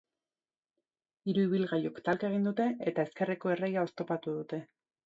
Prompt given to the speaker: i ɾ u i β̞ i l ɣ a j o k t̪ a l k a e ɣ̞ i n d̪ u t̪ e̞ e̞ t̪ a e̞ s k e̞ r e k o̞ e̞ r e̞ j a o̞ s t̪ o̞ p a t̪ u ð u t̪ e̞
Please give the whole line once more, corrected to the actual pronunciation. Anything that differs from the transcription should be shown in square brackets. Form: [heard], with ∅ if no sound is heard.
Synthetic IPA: i ɾ u i β̞ i l ɣ a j o k t̪ a l k a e ɣ̞ i n d̪ u t̪ e̞ e̞ t̪ a e̞ s k e̞ r e k o̞ e̞ r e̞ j a o̞ s t̪ o̞ p a t̪ u ð u t̪ e̞